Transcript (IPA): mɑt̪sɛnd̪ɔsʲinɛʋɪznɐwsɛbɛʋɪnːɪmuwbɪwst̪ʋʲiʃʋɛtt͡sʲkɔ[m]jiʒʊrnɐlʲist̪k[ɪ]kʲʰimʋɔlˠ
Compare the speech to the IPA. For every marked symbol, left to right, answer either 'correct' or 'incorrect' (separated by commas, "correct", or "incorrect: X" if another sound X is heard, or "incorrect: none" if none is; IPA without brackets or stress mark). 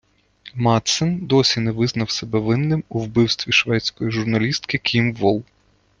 incorrect: none, correct